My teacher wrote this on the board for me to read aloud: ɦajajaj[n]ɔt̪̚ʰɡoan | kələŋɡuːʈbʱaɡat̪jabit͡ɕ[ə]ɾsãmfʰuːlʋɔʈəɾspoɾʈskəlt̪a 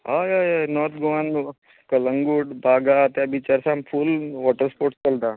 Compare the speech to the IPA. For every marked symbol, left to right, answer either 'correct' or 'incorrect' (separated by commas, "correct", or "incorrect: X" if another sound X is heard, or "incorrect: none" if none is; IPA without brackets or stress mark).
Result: correct, incorrect: a